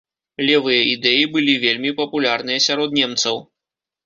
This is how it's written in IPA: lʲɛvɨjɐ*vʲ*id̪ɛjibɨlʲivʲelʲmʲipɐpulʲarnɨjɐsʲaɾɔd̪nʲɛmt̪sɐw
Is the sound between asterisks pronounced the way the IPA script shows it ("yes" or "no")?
no